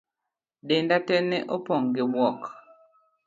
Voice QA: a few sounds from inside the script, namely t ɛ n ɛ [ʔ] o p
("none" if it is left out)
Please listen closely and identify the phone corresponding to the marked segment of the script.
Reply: ʔ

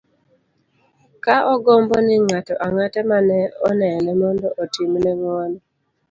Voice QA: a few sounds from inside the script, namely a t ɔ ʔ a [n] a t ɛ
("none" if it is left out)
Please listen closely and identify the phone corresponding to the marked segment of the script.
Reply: ŋ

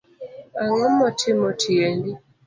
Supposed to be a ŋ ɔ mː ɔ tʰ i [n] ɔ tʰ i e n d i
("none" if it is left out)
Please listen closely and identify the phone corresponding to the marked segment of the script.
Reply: m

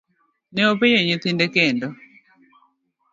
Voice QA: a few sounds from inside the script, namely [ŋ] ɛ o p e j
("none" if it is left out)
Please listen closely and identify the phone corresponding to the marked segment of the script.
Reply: n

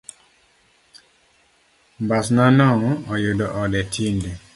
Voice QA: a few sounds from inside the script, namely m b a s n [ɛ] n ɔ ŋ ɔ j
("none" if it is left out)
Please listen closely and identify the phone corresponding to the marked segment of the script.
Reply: a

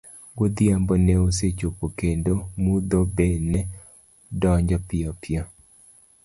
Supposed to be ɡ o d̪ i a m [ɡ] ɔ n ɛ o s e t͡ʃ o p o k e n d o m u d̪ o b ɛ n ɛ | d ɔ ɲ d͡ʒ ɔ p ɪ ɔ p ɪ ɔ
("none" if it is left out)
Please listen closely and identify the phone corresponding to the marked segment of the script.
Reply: b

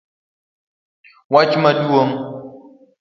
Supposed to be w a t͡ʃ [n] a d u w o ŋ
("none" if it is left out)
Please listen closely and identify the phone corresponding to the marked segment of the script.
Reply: m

